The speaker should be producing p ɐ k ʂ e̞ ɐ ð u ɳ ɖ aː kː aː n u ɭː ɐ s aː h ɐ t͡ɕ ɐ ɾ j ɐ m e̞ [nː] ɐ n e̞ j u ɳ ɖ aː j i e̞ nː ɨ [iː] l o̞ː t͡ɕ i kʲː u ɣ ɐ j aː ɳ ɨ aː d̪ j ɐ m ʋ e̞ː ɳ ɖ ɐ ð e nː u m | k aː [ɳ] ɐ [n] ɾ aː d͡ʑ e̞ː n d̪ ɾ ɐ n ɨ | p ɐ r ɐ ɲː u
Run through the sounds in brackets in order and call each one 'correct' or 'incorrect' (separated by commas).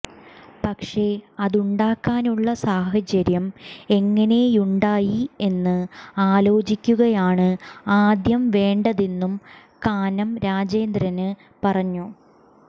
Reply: incorrect, incorrect, incorrect, incorrect